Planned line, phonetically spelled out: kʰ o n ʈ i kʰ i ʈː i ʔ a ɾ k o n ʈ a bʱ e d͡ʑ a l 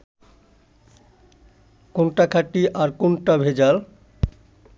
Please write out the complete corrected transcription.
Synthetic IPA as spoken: k o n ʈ a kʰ a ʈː i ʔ a ɾ k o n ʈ a bʱ e d͡ʑ a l